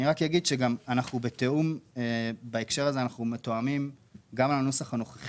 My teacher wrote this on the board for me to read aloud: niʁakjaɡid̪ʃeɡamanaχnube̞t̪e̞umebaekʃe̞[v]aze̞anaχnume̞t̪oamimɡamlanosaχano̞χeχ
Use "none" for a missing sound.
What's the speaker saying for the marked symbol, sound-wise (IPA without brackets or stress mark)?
ʁ